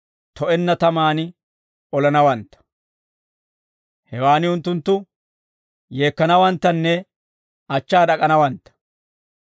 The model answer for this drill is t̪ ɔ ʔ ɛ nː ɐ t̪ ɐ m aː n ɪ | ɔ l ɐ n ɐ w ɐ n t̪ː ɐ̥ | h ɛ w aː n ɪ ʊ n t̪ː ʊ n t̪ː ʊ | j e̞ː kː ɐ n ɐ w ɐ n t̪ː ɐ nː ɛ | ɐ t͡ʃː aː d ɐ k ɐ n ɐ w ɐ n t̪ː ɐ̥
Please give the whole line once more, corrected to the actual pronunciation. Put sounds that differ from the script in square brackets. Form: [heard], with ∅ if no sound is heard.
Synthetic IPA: t̪ ɔ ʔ ɛ nː ɐ t̪ ɐ m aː n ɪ | ɔ l ɐ n ɐ w ɐ n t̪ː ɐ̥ | h ɛ w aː n ɪ ʊ n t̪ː ʊ n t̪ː ʊ | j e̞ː kː ɐ n ɐ w ɐ n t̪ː ɐ nː ɛ | ɐ t͡ʃː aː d ɐ [kʼ] ɐ n ɐ w ɐ n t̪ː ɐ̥